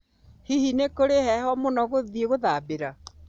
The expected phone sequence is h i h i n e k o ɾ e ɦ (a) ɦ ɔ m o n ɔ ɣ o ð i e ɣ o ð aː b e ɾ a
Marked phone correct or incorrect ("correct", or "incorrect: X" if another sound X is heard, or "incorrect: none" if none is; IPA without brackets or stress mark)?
incorrect: ɛ